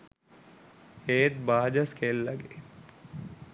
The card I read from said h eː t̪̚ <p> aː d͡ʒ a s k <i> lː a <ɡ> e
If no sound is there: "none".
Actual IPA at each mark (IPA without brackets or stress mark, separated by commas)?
b, e, ɡ